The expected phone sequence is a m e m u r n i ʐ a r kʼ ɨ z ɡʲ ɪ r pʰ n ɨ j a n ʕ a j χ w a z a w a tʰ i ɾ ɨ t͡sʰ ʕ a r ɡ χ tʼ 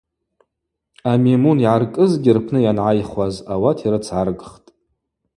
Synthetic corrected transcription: a m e m u n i ʕ a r kʼ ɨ z ɡʲ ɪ r pʰ n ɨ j a n ʕ a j χ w a z a w a tʰ i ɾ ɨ t͡sʰ ʕ a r ɡ χ tʼ

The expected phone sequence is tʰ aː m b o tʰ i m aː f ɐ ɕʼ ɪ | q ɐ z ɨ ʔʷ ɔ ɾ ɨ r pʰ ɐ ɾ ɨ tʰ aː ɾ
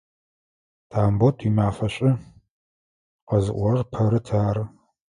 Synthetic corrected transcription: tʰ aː m b o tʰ i m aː f ɐ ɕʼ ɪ | q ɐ z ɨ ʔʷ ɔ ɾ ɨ r pʰ ɐ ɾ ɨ tʰ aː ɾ

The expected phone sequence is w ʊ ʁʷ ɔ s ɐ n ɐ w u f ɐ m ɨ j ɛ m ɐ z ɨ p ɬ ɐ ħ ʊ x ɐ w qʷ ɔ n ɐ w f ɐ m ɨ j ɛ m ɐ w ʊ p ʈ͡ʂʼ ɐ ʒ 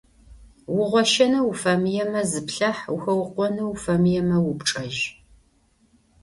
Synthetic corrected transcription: w ʊ ʁʷ ɔ ʃ ɐ n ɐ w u f ɐ m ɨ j ɛ m ɐ z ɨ p ɬ ɐ ħ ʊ x ɐ w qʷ ɔ n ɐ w f ɐ m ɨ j ɛ m ɐ w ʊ p ʈ͡ʂʼ ɐ ʒ

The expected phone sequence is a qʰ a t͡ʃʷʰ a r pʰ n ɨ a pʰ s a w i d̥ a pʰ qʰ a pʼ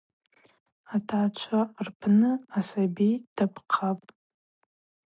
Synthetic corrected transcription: a tʰ a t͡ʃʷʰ a r pʰ n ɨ a s a b i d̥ a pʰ qʰ a pʼ

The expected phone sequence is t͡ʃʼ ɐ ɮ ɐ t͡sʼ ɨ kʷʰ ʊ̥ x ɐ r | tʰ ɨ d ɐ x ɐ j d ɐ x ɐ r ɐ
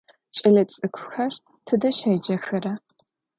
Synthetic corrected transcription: t͡ʃʼ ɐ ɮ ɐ t͡sʼ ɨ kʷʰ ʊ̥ x ɐ r | tʰ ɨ d ɐ ʃ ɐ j d͡ʒ ɐ x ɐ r ɐ

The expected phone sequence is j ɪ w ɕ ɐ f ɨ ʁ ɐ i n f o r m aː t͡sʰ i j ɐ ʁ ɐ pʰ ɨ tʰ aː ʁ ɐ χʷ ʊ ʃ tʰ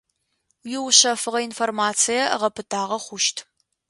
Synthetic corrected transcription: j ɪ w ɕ ɐ f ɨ ʁ ɐ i n f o r m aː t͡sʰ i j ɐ ʁ ɐ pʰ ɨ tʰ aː ʁ ɐ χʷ ʊ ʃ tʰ

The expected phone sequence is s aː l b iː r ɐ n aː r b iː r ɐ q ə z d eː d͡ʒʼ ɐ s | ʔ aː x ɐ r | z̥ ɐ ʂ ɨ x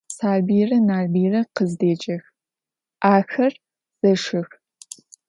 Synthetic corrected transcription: s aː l b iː r ɐ n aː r b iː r ɐ q ə z d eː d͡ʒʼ ɐ x | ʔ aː x ɐ r | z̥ ɐ ʂ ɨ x

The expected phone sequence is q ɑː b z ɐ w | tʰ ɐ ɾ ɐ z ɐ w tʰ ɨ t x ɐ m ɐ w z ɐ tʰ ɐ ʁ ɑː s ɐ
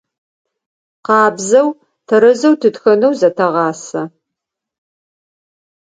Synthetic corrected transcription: q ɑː b z ɐ w | tʰ ɐ ɾ ɐ z ɐ w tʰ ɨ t x ɐ n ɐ w z ɐ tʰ ɐ ʁ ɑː s ɐ

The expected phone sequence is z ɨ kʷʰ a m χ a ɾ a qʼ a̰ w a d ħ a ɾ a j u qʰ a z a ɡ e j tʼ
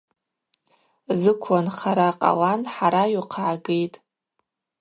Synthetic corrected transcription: z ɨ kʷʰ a n χ a ɾ a qʼ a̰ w a n ħ a ɾ a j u qʰ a ʕ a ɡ e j tʼ

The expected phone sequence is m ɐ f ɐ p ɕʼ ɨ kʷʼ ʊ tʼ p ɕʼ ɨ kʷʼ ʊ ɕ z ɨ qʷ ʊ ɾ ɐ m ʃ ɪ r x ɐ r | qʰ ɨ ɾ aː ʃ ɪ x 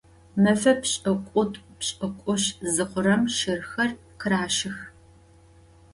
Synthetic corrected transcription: m ɐ f ɐ p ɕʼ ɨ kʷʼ ʊ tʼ p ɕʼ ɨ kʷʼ ʊ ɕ z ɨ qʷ ʊ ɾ ɐ m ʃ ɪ r x ɐ r | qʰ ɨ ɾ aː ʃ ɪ x

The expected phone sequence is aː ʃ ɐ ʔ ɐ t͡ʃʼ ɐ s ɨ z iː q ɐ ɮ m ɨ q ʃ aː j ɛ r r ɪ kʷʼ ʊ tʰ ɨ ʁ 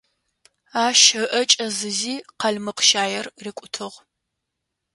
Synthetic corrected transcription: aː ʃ ɐ ʔ ɐ t͡ʃʼ ɐ z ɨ z iː q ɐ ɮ m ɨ q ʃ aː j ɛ r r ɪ kʷʼ ʊ tʰ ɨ ʁ

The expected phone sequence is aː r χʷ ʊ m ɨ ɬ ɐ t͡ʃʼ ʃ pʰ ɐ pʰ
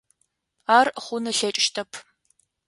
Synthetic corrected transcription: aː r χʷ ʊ n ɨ ɬ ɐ t͡ʃʼ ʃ tʰ ɐ pʰ

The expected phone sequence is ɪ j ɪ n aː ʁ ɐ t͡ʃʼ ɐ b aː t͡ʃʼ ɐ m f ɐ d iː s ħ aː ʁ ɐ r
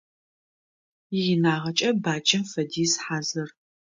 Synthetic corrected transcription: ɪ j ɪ n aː ʁ ɐ t͡ʃʼ ɐ b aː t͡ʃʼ ɐ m f ɐ d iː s ħ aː z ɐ r

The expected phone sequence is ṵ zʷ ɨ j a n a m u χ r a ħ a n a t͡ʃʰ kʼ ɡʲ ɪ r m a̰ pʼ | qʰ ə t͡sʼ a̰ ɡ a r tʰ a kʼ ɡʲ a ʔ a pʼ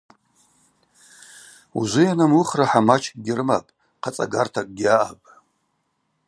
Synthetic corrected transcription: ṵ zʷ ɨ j a n a m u χ r a ħ a m a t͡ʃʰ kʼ ɡʲ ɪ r m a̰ pʼ | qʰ a t͡sʼ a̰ ɡ a r tʰ a kʼ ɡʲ a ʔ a pʼ

